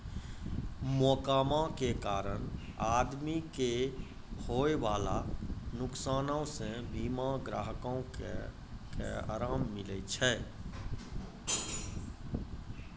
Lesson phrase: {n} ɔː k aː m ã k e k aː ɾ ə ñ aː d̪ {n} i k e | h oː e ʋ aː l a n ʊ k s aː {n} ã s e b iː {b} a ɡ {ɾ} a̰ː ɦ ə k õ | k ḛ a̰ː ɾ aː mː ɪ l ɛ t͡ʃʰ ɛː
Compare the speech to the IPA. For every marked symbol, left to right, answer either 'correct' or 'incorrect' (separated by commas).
incorrect, incorrect, correct, incorrect, correct